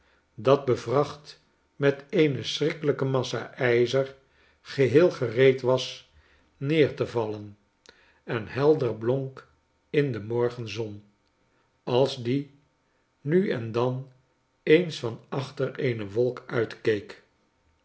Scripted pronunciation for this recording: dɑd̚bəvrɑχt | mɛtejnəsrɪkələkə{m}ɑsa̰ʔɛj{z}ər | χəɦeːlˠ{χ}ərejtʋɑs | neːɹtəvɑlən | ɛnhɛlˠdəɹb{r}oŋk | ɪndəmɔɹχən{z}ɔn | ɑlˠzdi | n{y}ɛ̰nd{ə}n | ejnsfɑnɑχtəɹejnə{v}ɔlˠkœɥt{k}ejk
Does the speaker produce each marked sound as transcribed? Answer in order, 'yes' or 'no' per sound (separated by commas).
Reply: yes, yes, yes, no, yes, yes, no, no, yes